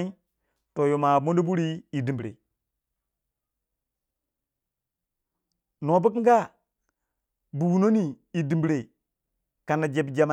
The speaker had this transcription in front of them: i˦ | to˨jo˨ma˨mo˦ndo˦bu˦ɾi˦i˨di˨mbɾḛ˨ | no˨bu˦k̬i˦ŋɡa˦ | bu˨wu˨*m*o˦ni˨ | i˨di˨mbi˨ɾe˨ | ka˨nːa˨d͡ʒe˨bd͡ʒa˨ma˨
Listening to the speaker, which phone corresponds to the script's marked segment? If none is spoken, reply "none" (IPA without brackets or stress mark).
n